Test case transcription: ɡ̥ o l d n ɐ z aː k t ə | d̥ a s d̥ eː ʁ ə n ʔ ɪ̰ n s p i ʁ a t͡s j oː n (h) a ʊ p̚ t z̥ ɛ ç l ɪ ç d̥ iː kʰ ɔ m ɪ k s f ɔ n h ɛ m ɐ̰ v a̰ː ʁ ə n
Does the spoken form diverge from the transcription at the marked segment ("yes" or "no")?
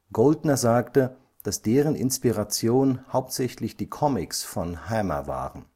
no